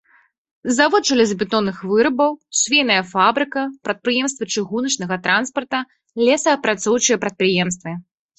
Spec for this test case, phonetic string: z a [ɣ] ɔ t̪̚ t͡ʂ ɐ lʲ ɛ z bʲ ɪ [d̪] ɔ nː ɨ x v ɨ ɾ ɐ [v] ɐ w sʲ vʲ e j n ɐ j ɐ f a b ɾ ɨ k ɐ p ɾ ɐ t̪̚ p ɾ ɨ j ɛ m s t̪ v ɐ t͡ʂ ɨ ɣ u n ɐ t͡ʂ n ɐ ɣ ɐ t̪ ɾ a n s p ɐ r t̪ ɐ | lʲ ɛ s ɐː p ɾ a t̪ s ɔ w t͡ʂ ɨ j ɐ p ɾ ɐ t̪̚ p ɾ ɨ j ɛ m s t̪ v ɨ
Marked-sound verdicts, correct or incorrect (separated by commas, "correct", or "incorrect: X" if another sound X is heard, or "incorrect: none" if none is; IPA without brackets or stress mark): incorrect: v, incorrect: t̪, incorrect: b